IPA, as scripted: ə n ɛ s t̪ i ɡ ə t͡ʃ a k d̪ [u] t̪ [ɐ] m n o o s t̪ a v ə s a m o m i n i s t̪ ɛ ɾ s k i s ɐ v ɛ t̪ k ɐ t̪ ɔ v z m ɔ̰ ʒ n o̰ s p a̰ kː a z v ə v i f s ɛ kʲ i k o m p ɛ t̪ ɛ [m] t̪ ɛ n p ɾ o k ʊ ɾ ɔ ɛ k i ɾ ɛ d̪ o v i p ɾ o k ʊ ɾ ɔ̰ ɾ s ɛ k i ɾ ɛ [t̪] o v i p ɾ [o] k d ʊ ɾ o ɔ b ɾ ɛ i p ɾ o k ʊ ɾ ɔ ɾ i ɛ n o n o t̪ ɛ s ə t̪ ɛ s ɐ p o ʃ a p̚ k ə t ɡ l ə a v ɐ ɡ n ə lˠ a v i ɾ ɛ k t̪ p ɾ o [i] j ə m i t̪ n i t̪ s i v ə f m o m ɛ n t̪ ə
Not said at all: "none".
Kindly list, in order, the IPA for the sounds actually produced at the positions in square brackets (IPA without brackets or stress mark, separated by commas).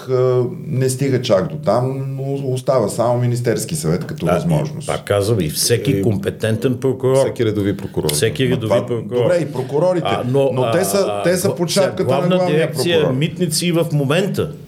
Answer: o, a, n, d̪, o, i